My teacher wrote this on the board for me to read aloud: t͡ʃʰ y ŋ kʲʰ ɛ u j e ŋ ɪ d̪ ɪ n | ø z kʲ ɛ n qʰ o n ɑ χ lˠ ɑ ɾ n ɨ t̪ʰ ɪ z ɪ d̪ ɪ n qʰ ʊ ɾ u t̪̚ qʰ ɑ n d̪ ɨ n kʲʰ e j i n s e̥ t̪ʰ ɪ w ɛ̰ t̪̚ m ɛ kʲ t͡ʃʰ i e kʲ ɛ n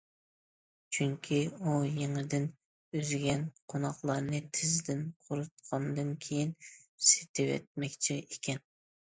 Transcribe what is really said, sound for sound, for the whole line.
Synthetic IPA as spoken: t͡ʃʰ y ŋ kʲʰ i u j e ŋ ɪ d̪ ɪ n | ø z ɡʲ ɛ n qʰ o n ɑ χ lˠ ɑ ɾ n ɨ t̪ʰ ɪ z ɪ d̪ ɪ n qʰ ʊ ɾ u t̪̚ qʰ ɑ n d̪ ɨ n kʲʰ e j i n s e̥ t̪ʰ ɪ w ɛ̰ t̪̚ m ɛ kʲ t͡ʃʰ i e kʲ ɛ n

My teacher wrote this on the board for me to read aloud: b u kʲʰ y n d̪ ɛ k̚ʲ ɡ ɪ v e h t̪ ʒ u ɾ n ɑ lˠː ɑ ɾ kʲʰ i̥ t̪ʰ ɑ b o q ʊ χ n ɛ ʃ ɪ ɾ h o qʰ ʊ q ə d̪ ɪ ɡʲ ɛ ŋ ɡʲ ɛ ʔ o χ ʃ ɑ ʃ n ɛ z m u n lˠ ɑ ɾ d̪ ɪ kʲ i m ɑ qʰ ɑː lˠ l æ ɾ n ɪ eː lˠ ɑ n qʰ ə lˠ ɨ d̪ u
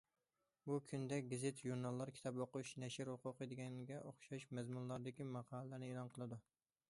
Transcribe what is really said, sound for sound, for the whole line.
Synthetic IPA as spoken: b u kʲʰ y n d̪ ɛ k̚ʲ ɡ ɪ z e t̪ ʒ u ɾ n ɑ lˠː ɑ ɾ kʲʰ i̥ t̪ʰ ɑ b o q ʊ ʃ n ɛ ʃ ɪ ɾ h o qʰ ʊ q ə d̪ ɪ ɡʲ ɛ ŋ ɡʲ ɛ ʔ o χ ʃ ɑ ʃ m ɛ z m u n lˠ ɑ ɾ d̪ ɪ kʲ i m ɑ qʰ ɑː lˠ l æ ɾ n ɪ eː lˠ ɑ n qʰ ə lˠ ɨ d̪ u

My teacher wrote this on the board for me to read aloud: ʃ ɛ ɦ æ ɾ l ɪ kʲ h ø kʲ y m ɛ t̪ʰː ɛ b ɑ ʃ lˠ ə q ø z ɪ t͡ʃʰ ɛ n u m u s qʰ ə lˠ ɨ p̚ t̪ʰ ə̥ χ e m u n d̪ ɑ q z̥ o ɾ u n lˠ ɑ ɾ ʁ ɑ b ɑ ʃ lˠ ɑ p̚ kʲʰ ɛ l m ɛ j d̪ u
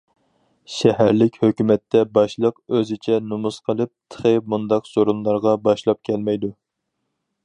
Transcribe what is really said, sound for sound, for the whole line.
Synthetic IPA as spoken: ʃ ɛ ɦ æ ɾ l ɪ kʲ h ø kʲ y m ɛ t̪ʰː ɛ b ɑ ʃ lˠ ə q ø z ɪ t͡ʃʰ ɛ n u m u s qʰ ə lˠ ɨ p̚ t̪ʰ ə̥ χ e m u n d̪ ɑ q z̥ o ɾ u n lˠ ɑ ɾ ʁ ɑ b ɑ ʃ lˠ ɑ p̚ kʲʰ ɛ l m ɛ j d̪ u

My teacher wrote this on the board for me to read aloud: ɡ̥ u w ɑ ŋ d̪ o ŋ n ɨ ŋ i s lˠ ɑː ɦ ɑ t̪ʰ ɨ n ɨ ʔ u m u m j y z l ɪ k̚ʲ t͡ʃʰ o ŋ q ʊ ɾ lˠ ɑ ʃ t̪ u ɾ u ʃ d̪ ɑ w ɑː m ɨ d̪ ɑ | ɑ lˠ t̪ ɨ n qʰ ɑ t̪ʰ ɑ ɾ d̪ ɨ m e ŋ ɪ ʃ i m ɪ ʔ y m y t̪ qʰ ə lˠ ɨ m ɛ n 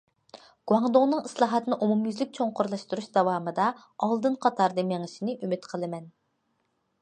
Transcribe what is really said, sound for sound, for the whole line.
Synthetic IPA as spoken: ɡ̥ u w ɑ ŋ d̪ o ŋ n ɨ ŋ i s lˠ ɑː ɦ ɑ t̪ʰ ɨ n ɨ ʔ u m u m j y z l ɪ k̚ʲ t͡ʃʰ o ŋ q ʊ ɾ lˠ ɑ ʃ t̪ u ɾ u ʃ d̪ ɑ w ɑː m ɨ d̪ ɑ | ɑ lˠ d̪ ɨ n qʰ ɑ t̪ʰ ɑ ɾ d̪ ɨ m e ŋ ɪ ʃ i n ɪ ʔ y m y t̪ qʰ ə lˠ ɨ m ɛ n

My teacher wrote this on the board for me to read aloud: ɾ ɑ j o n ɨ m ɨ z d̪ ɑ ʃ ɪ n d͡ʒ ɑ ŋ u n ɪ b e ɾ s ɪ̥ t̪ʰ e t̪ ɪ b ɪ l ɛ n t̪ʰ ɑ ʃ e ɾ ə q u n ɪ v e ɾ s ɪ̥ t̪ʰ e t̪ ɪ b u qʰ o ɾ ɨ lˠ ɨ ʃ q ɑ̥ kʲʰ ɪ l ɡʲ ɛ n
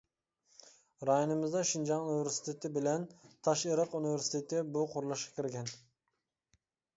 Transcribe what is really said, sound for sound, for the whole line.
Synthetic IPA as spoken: ɾ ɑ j o n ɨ m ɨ z d̪ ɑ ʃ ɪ n d͡ʒ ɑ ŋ u n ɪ v e ɾ s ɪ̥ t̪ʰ e t̪ ɪ b ɪ l ɛ n t̪ʰ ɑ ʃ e ɾ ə q u n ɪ v e ɾ s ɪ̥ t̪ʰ e t̪ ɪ b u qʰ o ɾ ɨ lˠ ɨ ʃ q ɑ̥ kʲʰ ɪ ɾ ɡʲ ɛ n

